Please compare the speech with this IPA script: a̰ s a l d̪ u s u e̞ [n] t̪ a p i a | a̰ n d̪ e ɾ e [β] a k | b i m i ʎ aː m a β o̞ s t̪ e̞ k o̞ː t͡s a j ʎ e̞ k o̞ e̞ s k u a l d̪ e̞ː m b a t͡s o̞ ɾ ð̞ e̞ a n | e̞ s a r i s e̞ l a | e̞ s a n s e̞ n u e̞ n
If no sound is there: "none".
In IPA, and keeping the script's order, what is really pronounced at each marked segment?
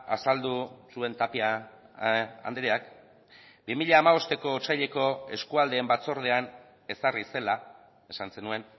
n, none

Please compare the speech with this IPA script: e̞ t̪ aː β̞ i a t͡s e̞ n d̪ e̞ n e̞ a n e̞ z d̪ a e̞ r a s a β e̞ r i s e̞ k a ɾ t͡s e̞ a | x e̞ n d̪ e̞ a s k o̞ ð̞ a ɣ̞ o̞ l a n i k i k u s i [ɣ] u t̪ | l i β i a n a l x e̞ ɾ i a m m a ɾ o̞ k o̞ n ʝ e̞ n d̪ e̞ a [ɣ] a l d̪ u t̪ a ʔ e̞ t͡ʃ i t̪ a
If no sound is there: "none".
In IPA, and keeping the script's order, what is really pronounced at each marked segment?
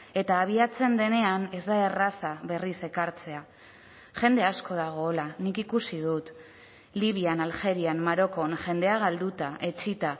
ð, ɣ

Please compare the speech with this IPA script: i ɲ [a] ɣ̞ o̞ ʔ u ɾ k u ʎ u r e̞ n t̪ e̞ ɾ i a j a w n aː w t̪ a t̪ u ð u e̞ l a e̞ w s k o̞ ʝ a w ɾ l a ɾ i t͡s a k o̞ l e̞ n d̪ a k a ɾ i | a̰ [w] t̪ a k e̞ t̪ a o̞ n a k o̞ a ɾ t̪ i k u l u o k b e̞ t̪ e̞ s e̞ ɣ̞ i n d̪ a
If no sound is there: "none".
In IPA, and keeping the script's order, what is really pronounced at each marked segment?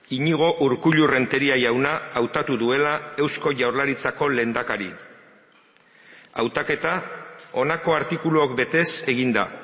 i, w

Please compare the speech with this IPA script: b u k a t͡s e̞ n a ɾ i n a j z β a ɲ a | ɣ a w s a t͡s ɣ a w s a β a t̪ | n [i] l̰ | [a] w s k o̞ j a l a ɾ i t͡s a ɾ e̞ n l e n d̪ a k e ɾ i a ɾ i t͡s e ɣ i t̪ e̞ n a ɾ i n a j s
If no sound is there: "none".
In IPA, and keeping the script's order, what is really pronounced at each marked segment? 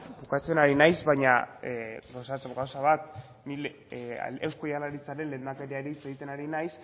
i, e

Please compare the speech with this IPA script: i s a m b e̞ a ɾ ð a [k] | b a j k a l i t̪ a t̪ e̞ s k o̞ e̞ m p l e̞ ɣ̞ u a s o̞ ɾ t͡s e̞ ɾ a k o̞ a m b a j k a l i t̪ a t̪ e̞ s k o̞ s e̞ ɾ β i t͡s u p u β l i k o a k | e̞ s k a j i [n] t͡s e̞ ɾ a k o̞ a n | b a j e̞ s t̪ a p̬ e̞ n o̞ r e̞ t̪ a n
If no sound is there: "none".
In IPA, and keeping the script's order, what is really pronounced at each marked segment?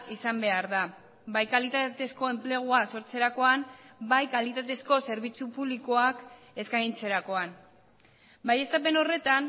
none, n

